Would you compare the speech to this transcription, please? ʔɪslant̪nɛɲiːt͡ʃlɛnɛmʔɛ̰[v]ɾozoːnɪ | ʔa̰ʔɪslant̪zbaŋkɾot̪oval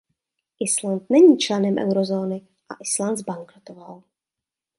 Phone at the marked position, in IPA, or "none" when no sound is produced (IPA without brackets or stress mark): w